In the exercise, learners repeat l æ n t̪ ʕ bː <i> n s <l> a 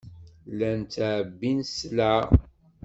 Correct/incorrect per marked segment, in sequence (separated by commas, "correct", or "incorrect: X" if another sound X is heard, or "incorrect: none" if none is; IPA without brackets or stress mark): correct, correct